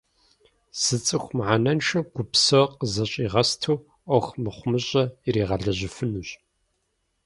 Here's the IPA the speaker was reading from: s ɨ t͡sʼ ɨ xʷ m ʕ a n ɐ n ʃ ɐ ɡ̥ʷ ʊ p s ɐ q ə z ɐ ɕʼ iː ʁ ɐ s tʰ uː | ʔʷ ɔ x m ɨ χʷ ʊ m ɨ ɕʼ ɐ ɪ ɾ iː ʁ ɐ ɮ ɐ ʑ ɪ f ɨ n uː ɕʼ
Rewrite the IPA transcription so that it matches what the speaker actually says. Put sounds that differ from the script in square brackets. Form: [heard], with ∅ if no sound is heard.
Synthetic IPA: s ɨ t͡sʼ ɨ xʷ m ʕ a n ɐ n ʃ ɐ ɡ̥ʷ ʊ p s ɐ q ə z ɐ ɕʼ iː ʁ ɐ s tʰ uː | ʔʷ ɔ x m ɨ χʷ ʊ m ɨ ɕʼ ɐ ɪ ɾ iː ʁ ɐ ɮ ɐ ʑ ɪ f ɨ n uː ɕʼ